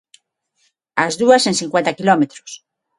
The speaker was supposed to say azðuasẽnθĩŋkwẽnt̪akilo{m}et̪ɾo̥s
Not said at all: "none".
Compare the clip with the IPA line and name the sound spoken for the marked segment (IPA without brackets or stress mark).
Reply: m